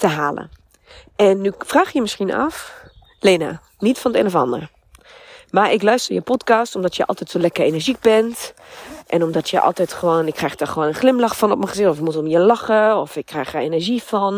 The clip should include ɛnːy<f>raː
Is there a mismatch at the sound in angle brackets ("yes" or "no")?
no